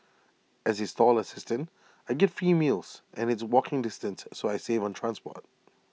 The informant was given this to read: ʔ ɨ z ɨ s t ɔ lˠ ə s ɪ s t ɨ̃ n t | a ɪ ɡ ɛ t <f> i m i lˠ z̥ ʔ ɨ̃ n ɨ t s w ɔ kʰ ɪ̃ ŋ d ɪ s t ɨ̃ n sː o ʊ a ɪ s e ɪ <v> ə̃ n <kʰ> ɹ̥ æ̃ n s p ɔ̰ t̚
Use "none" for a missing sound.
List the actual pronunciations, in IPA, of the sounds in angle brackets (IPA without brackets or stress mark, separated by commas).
f, v, tʰ